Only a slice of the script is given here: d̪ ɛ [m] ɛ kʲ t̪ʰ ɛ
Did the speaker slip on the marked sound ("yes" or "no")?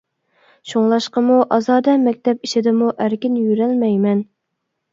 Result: no